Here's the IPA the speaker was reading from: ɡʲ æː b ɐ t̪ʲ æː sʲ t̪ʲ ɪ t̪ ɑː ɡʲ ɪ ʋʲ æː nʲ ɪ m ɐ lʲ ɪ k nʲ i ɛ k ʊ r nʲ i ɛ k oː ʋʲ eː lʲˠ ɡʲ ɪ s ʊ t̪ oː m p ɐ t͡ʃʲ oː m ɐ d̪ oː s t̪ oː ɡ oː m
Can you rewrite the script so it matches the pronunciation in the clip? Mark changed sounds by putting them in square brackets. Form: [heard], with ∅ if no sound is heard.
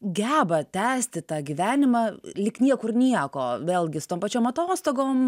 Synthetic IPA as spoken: ɡʲ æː b ɐ t̪ʲ æː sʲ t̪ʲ ɪ t̪ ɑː ɡʲ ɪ ʋʲ æː nʲ ɪ m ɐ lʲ ɪ k nʲ i ɛ k ʊ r nʲ i ɛ k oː ʋʲ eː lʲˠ ɡʲ ɪ s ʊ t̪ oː m p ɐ t͡ʃʲ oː m ɐ [t̪] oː s t̪ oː ɡ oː m